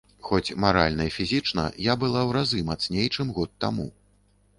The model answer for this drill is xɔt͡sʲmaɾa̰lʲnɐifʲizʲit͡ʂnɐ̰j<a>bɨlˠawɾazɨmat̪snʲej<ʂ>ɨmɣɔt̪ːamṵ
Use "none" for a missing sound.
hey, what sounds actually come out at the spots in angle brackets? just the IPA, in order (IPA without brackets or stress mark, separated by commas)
a, t͡ʂ